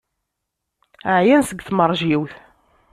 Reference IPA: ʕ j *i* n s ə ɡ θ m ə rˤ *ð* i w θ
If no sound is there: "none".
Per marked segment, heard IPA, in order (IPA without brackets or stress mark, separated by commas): æ, ʒ